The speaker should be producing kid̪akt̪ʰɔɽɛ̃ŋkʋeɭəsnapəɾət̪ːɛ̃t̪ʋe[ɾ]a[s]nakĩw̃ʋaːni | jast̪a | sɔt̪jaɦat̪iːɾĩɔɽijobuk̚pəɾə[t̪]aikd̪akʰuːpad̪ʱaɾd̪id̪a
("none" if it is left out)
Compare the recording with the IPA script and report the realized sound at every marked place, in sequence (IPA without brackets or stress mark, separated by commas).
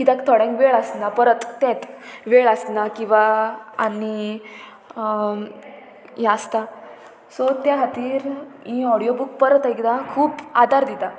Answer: ɭ, s, t̪